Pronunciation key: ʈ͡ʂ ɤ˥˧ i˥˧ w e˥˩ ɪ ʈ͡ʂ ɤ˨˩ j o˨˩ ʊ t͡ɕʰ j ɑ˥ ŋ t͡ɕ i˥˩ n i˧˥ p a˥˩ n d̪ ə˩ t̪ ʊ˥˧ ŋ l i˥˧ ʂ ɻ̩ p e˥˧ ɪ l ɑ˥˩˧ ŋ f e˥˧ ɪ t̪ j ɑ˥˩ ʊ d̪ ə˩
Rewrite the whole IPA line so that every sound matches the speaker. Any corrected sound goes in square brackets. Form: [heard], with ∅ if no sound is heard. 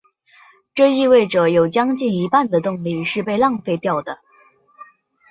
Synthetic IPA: ʈ͡ʂ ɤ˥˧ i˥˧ w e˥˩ ɪ ʈ͡ʂ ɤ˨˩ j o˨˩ ʊ [t͡ɕ] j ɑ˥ ŋ t͡ɕ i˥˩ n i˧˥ p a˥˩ n d̪ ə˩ t̪ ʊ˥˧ ŋ l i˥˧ ʂ ɻ̩ p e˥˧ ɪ l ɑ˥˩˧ ŋ f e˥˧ ɪ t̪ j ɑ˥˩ ʊ d̪ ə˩